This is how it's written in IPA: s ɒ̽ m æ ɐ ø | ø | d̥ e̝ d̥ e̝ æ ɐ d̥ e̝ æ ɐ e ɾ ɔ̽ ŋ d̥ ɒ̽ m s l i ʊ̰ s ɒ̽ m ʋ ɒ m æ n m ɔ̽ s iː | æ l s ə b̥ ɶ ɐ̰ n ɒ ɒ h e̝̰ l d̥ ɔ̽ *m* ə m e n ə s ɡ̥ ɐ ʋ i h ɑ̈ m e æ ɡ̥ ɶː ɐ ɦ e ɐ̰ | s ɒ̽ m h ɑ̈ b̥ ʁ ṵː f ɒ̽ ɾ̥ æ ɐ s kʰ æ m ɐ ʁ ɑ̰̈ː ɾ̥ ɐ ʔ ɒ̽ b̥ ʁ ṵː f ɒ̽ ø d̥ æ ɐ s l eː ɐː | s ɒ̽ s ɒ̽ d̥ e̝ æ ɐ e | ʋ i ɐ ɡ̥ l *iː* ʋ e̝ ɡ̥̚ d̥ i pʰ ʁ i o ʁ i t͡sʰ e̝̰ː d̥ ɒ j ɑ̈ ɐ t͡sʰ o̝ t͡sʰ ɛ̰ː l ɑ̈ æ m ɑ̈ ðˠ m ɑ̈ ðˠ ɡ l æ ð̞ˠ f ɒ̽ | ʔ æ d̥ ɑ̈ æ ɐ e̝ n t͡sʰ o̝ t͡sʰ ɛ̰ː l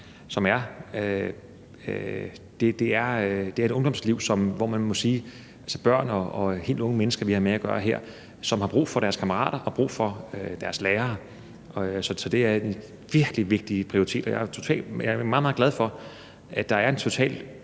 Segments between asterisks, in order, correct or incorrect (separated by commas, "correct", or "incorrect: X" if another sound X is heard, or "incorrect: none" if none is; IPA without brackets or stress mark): incorrect: ŋ, incorrect: i